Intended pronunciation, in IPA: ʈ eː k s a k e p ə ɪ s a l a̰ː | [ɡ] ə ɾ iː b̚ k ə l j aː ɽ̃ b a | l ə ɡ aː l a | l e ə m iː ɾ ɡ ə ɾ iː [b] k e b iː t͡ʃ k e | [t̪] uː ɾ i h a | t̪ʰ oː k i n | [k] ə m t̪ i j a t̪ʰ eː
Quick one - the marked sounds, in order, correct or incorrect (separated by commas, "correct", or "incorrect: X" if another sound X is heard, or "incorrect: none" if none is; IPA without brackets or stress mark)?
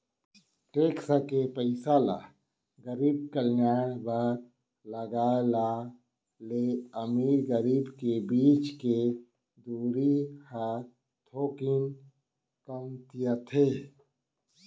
correct, correct, incorrect: d̪, correct